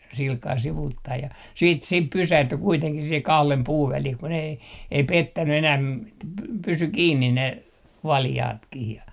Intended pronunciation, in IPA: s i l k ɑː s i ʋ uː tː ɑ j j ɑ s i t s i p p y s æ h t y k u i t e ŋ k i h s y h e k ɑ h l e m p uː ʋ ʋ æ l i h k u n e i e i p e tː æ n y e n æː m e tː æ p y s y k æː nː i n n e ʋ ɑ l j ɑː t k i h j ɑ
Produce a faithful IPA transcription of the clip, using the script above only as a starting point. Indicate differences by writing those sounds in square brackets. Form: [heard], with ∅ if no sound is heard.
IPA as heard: s i l k ɑː s i ʋ uː tː ɑ [i] j ɑ s [iː] t s i p p y s æ h t y k u i t e ŋ k i h s [i] h e k ɑ h l e m p uː ʋ ʋ æ l i h k u n e i e i p e tː æ n y e n æː m e tː æ p y s y k [iː] nː i n n e ʋ ɑ l j ɑː t k i h j ɑ